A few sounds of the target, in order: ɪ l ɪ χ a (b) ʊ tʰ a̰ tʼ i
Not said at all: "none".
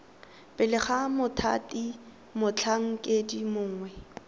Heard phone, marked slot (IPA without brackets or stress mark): m